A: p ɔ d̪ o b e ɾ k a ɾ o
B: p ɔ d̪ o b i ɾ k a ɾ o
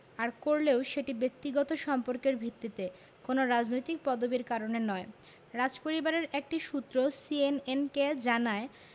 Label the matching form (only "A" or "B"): B